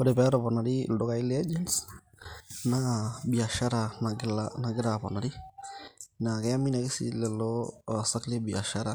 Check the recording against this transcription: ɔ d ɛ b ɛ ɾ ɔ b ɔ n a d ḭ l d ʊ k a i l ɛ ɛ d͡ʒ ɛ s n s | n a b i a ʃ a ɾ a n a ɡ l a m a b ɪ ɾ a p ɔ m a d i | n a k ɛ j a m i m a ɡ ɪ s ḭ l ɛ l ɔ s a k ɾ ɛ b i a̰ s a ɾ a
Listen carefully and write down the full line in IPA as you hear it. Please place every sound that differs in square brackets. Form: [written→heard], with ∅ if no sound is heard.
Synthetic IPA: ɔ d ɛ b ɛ ɾ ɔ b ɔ n a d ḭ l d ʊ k a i l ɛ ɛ d͡ʒ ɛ [s→∅] n s | n a b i a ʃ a ɾ a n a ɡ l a [m→n] a [b→ɡ] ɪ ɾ a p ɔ [m→n] a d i | n a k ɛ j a m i [m→n] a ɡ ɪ s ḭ l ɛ l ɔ s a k [ɾ→l] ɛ b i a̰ [s→ʃ] a ɾ a